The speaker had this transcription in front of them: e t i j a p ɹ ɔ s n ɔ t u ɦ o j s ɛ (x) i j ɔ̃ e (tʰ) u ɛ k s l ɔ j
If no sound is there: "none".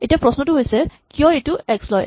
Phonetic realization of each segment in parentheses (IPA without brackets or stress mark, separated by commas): k, t